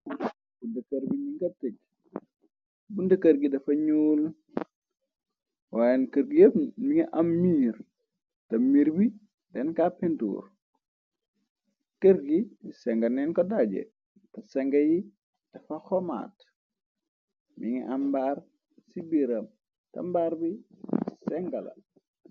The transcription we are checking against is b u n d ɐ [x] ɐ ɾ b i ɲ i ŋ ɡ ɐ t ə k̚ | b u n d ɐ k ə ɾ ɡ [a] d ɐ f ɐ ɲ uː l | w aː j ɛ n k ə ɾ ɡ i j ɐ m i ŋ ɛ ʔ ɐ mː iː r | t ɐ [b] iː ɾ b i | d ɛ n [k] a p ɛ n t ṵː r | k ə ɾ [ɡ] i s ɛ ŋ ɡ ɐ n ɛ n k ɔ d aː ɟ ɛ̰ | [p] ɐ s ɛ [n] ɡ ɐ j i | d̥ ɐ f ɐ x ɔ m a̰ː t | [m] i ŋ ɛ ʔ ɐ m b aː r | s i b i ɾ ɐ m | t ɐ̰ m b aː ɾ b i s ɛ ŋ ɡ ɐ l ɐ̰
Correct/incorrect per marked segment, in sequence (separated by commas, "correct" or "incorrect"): incorrect, incorrect, incorrect, correct, correct, incorrect, incorrect, correct